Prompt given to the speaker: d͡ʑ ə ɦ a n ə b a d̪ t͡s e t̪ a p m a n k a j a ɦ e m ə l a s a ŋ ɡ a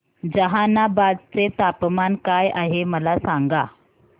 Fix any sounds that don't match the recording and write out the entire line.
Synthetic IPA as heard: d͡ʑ ə ɦ a n a b a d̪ t͡s e t̪ a p m a n k a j a ɦ e m ə l a s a ŋ ɡ a